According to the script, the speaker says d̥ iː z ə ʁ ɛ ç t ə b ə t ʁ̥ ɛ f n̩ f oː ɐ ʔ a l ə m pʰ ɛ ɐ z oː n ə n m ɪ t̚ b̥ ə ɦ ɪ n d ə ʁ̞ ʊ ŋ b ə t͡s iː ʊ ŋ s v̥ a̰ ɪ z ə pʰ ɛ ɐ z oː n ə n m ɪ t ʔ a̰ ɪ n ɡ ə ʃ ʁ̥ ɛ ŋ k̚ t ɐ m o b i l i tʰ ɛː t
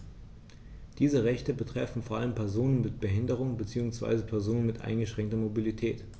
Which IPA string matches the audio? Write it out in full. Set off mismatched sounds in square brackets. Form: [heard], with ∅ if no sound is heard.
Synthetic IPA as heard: d̥ iː z ə ʁ ɛ ç t ə b ə t ʁ̥ ɛ f n̩ f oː ɐ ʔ a l ə m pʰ ɛ ɐ z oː n ə n m ɪ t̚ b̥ ə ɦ ɪ n d ə ʁ̞ ʊ ŋ b ə t͡s iː ʊ ŋ s v̥ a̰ ɪ z ə pʰ ɛ ɐ z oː n ə n m ɪ t ʔ a̰ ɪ n ɡ ə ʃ ʁ̥ ɛ ŋ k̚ t ɐ m o b i l i tʰ ɛː t